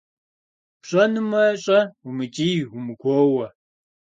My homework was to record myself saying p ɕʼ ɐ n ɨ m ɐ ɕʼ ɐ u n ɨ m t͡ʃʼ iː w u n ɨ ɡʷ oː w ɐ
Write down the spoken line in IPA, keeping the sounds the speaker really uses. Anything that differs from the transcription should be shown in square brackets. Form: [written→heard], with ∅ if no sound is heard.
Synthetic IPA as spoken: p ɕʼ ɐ n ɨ m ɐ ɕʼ ɐ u [n→m] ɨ [m→∅] t͡ʃʼ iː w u [n→m] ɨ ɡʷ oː w ɐ